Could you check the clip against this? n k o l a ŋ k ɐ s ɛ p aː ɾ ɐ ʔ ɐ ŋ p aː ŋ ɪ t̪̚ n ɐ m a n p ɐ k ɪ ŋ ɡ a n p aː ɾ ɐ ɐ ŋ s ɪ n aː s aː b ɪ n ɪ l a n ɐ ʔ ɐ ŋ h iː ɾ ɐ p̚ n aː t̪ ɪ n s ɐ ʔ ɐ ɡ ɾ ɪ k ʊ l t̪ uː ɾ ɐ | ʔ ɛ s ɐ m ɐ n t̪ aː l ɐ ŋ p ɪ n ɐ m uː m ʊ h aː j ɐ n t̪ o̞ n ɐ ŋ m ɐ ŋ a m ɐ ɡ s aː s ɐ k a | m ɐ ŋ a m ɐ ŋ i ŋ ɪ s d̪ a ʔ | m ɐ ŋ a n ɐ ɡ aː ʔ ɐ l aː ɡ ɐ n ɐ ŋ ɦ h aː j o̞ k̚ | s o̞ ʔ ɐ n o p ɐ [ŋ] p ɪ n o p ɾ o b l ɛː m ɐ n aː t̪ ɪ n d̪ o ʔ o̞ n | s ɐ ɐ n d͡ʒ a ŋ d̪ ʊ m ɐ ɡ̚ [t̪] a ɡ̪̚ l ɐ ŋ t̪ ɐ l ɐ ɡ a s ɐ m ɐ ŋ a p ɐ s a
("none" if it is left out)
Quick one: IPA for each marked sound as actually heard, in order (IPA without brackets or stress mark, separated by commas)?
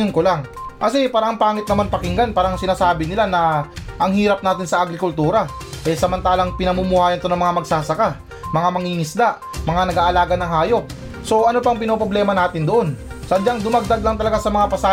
ŋ, d̪